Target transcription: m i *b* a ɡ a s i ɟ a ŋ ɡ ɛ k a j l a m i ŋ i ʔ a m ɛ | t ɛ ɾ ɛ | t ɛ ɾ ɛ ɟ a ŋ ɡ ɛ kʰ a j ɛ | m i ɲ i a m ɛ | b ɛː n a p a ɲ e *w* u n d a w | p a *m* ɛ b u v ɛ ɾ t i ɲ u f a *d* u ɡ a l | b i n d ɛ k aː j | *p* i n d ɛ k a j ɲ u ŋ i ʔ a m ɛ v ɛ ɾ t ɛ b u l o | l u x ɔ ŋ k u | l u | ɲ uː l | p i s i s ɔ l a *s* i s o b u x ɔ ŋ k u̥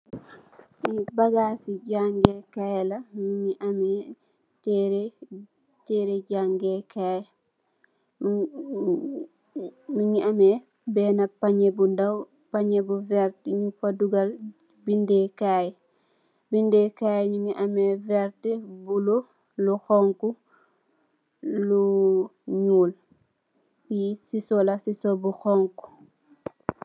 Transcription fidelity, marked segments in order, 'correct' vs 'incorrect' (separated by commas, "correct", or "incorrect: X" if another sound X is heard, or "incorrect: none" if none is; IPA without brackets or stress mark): correct, incorrect: b, incorrect: ɲ, correct, incorrect: b, correct